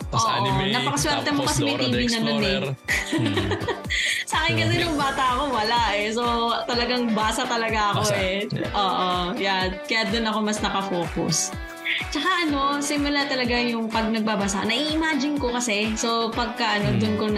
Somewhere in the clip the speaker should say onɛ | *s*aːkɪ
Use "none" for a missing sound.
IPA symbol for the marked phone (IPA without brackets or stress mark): s